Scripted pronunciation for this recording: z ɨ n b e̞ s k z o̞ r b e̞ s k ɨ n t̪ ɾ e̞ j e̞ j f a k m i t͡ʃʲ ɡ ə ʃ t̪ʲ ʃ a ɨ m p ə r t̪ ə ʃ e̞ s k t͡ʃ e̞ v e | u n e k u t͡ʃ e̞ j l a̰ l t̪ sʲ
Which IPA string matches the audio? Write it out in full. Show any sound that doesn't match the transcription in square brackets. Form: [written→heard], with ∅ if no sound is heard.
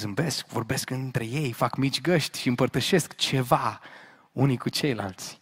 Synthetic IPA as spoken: z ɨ [n→m] b e̞ s k [z→v] o̞ r b e̞ s k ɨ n t̪ ɾ e̞ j e̞ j f a k m i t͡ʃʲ ɡ ə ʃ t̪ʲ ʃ [a→i] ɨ m p ə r t̪ ə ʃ e̞ s k t͡ʃ e̞ v [e→a] | u n [e→i] k u t͡ʃ e̞ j l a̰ l t̪ sʲ